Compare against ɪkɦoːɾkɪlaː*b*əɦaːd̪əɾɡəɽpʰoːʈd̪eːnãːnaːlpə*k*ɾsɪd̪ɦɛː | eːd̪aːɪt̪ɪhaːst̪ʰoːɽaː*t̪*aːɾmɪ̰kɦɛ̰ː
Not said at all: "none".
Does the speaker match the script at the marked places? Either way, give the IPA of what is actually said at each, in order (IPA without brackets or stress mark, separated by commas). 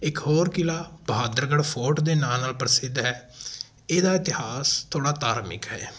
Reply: b, none, t̪